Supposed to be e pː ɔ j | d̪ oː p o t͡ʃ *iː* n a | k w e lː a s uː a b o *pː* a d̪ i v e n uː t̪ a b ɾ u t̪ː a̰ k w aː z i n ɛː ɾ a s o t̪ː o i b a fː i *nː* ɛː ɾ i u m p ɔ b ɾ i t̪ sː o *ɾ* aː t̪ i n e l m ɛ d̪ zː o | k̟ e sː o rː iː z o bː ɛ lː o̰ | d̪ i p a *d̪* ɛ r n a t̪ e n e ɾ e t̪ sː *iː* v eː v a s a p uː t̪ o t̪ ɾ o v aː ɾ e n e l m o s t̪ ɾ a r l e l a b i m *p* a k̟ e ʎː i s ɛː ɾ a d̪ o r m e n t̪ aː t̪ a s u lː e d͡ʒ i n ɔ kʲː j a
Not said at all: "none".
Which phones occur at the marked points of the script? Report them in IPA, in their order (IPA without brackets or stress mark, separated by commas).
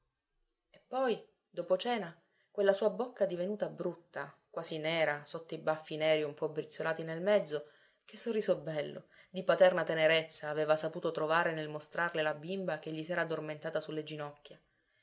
ɛː, kː, n, l, t̪, aː, b